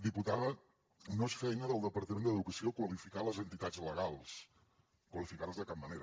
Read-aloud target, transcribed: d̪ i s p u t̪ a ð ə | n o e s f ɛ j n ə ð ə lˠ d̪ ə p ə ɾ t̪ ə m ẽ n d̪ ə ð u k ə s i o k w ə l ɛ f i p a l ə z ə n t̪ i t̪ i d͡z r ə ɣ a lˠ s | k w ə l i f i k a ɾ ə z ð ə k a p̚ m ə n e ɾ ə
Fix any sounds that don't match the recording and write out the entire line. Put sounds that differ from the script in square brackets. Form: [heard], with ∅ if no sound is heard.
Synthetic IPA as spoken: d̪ i [∅] p u t̪ a ð ə | n o e s f ɛ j n ə ð ə lˠ d̪ ə p ə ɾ t̪ ə m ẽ n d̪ ə ð u k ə s i o k w ə l [i] f i [k] a l ə z ə n t̪ i t̪ [a] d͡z [l] ə ɣ a lˠ s | k w ə l i f i k a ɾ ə z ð ə k a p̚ m ə n e ɾ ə